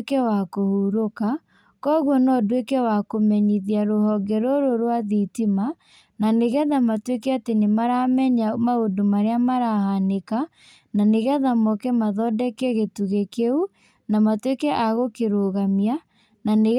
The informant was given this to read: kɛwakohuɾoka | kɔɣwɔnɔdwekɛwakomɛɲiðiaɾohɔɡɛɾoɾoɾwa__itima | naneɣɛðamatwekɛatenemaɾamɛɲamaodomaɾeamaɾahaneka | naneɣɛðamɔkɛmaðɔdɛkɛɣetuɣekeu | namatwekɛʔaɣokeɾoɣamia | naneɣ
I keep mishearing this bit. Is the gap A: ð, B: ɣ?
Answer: A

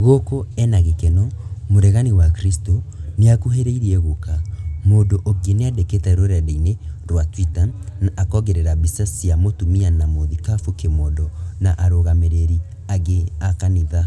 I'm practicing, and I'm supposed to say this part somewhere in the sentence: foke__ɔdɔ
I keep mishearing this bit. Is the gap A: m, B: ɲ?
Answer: A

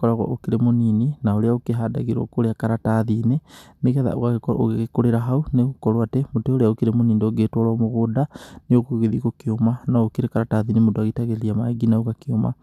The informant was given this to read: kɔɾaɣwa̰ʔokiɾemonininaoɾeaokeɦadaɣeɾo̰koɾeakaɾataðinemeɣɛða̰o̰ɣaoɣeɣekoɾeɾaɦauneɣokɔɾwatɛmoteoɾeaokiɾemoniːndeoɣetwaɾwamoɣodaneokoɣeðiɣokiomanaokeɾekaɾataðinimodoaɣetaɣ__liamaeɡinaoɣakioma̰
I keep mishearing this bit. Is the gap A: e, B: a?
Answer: A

